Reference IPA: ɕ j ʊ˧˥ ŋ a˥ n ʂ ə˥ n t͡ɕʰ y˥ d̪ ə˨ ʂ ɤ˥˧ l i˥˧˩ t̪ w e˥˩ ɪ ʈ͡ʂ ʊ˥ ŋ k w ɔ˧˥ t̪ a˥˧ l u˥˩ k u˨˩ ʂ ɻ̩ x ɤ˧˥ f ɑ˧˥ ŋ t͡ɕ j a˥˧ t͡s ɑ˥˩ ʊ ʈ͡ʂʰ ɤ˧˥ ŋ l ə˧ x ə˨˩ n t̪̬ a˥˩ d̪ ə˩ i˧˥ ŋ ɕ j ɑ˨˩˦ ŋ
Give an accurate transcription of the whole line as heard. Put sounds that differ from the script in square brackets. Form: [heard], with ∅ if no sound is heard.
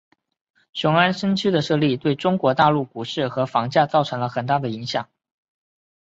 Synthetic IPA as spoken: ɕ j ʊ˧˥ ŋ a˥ n ʂ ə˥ n t͡ɕʰ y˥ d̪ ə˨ ʂ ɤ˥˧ l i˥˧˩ t̪ w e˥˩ ɪ ʈ͡ʂ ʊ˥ ŋ k w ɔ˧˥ t̪ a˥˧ l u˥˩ k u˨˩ ʂ ɻ̩ x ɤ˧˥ f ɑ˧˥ ŋ t͡ɕ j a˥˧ t͡s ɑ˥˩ ʊ ʈ͡ʂʰ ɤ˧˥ ŋ l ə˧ x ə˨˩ n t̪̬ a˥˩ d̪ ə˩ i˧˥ ŋ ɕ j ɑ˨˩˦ ŋ